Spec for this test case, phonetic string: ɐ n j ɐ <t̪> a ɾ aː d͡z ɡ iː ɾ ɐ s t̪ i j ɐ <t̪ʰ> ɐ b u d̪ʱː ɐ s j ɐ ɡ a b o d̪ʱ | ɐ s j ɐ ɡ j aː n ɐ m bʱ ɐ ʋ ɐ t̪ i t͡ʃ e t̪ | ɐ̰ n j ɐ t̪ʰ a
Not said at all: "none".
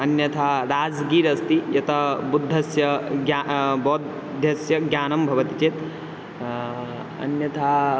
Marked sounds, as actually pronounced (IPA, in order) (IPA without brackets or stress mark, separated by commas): t̪ʰ, t̪